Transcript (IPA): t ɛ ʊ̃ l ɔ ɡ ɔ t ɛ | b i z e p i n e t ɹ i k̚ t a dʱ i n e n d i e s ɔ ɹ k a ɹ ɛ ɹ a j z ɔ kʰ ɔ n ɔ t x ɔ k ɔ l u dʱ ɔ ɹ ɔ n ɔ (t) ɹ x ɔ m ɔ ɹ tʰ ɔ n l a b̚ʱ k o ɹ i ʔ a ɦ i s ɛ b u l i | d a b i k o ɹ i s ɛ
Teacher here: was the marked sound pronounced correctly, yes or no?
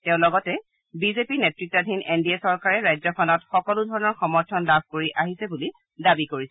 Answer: no